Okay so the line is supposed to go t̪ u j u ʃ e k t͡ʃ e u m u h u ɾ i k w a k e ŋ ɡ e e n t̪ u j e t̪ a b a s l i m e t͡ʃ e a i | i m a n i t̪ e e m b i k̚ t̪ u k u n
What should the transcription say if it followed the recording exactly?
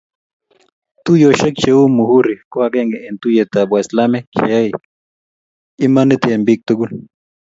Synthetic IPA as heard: t̪ u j o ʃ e k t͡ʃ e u m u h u ɾ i k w a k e ŋ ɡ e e n t̪ u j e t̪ a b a s l a m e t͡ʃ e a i | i m a n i t̪ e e m b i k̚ t̪ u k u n